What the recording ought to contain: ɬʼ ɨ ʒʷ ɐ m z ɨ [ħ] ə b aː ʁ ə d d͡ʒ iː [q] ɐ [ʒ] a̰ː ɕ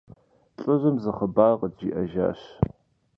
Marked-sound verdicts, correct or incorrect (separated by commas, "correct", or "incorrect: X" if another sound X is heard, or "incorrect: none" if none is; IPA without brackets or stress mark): incorrect: χ, incorrect: ʔ, correct